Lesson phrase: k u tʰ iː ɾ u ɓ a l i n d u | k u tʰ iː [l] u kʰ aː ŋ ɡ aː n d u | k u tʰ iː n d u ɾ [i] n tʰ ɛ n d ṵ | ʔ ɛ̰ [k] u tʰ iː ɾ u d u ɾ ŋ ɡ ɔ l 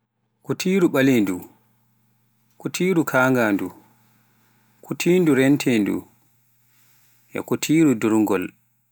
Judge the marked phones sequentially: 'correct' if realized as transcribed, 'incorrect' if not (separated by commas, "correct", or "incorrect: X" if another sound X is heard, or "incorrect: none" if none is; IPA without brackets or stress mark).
incorrect: ɾ, incorrect: ɛ, correct